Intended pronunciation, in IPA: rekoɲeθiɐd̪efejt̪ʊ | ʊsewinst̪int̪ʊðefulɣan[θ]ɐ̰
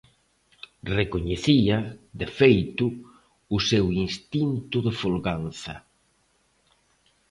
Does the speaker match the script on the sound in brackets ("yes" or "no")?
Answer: yes